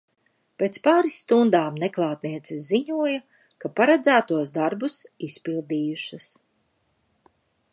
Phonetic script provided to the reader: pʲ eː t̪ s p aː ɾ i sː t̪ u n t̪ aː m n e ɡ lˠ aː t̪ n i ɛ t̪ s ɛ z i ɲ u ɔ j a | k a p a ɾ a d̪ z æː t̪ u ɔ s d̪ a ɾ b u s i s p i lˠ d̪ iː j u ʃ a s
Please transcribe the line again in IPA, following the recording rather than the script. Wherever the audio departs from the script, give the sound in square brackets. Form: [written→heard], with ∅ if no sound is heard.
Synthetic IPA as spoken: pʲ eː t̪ s p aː ɾ i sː t̪ u n [t̪→d̪] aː m n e [ɡ→k] lˠ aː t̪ n i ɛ t̪ s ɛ z i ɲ u ɔ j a | k a p a ɾ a d̪ z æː t̪ u ɔ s d̪ a ɾ b u s i s p i lˠ d̪ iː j u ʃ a s